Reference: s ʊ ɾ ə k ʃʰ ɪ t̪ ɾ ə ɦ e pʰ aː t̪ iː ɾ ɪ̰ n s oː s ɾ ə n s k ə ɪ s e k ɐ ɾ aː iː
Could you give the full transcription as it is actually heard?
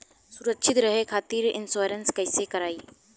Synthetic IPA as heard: s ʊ ɾ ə k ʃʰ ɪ t̪ ɾ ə ɦ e kʰ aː t̪ iː ɾ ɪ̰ n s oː ɾ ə n s k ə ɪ s e k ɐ ɾ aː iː